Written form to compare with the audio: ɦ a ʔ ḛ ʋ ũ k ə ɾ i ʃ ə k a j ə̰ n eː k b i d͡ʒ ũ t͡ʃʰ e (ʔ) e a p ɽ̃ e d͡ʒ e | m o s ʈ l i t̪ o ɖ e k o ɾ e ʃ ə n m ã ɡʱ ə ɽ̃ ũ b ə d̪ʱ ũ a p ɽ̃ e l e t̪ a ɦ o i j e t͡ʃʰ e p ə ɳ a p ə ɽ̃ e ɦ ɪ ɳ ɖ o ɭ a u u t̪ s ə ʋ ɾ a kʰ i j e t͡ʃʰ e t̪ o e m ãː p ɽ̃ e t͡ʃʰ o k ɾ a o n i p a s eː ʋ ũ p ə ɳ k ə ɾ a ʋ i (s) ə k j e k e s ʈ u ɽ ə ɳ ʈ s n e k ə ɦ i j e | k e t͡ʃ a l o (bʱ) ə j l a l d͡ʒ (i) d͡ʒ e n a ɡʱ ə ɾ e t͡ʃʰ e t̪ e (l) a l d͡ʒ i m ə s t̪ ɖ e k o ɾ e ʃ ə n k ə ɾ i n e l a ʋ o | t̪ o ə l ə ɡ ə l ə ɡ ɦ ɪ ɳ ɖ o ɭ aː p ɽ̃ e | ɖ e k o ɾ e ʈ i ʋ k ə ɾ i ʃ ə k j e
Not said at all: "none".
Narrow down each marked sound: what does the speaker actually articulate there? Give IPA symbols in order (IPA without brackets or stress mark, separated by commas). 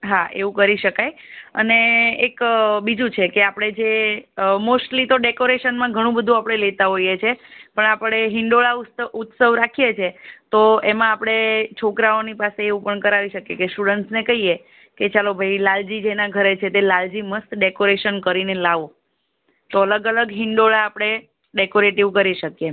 k, ʃ, bʱ, i, l